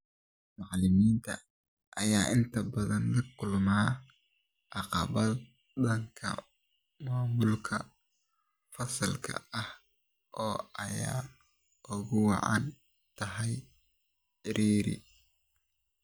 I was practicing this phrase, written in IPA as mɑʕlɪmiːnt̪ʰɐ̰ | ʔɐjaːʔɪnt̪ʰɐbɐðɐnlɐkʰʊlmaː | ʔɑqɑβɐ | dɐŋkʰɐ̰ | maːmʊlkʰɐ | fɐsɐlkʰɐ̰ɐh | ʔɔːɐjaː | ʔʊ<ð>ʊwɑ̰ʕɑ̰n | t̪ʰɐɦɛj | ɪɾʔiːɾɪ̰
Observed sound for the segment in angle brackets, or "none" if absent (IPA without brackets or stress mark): ɣ